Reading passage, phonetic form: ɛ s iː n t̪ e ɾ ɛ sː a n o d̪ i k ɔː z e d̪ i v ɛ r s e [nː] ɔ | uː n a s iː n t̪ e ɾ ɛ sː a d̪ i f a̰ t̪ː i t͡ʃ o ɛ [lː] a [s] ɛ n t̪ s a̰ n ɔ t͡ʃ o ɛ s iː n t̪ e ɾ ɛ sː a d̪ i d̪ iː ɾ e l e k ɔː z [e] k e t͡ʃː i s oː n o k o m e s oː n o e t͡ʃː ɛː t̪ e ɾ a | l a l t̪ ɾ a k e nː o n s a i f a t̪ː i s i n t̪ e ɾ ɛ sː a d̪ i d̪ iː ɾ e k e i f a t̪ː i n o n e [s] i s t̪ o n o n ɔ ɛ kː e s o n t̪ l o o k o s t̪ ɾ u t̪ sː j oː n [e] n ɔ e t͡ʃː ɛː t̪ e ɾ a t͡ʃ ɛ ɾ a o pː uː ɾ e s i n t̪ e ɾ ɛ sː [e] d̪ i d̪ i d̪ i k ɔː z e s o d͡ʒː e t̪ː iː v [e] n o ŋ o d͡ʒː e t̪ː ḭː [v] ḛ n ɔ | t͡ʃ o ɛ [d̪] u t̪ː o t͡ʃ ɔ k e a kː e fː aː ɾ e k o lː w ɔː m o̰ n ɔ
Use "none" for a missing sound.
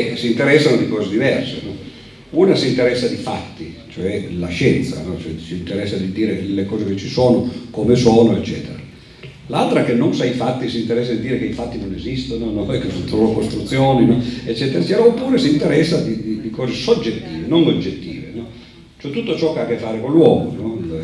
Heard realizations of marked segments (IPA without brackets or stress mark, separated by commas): n, l, ʃ, e, z, i, a, e, v, t̪